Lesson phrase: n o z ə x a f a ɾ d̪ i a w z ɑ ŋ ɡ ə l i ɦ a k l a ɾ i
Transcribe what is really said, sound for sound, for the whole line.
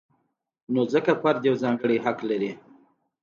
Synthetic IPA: n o z ə k a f a ɾ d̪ j a w z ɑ ŋ ɡ ə ɽ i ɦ a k l a ɾ i